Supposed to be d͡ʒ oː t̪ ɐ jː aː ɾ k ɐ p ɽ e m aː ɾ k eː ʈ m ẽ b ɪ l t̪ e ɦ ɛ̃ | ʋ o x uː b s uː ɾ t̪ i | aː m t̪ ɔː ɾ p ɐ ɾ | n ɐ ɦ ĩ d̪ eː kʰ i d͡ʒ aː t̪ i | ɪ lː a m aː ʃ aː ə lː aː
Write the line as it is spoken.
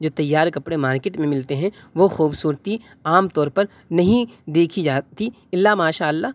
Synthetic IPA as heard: d͡ʒ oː t̪ ɐ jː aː ɾ k ɐ p ɽ e m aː ɾ k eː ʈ m ẽ m ɪ l t̪ e ɦ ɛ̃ | ʋ o x uː b s uː ɾ t̪ i | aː m t̪ ɔː ɾ p ɐ ɾ | n ɐ ɦ ĩ d̪ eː kʰ i d͡ʒ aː t̪ i | ɪ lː a m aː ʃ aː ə lː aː